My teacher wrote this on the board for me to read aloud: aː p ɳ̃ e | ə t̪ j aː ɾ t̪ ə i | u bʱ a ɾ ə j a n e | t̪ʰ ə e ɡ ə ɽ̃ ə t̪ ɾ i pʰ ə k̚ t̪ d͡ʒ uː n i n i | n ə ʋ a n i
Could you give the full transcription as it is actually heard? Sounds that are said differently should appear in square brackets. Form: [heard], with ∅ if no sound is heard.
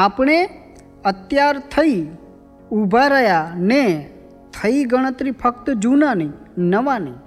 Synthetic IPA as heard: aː p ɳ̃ e | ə t̪ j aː ɾ [t̪ʰ] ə i | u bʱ a ɾ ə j a n e | t̪ʰ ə [i] ɡ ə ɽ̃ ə t̪ ɾ i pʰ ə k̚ t̪ d͡ʒ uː n [a] n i | n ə ʋ a n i